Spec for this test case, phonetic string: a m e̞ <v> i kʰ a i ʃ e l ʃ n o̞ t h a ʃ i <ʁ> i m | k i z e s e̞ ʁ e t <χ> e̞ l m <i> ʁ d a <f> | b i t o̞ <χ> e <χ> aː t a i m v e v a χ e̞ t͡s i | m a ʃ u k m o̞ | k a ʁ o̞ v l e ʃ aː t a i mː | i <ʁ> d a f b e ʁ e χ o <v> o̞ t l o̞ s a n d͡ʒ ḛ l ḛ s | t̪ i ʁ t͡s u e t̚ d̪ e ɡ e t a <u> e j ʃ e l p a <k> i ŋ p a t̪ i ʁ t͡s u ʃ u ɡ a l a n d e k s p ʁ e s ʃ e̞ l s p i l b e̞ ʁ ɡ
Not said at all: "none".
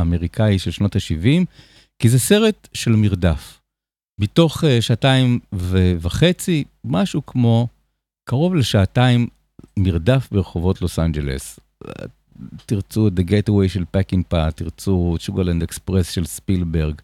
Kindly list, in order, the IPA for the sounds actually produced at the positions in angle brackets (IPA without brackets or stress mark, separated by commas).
ʁ, v, ʃ, i, f, χ, ʃ, ʁ, v, w, k